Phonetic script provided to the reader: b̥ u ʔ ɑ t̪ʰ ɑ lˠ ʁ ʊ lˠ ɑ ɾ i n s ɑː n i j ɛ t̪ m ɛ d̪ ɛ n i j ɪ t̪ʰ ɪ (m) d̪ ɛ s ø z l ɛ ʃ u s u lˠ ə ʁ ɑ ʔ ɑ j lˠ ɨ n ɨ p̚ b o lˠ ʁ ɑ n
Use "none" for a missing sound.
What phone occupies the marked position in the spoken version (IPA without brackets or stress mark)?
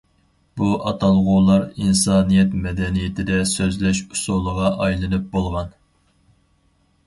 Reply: none